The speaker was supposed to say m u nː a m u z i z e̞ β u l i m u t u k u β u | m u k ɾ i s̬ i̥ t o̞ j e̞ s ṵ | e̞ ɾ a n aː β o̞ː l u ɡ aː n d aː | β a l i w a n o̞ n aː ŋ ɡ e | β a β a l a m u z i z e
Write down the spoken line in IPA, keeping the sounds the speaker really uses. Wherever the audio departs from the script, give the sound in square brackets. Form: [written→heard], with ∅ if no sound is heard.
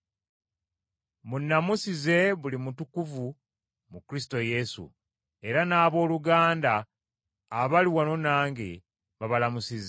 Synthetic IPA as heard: m u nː a m u [z→s] i z e̞ β u l i m u t u k u [β→v] u | m u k ɾ i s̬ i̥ t o̞ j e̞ s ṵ | e̞ ɾ a n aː β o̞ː l u ɡ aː n d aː | β a l i w a n o̞ n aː ŋ ɡ e | β a β a l a m u [z→s] i z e

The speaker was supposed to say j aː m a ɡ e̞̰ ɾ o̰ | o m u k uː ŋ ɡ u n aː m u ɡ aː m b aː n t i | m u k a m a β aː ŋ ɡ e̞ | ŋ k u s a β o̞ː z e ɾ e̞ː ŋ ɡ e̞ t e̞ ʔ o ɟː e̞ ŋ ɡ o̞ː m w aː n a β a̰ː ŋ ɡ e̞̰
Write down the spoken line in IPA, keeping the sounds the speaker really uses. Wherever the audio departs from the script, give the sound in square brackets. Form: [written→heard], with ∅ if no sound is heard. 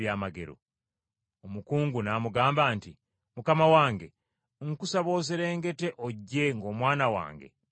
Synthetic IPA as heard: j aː m a ɡ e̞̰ ɾ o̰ | o m u k uː ŋ ɡ u n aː m u ɡ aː m b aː n t i | m u k a m a [β→w] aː ŋ ɡ e̞ | ŋ k u s a β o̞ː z e ɾ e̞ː ŋ ɡ e̞ t e̞ ʔ o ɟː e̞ ŋ ɡ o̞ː m w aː n a [β→w] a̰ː ŋ ɡ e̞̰

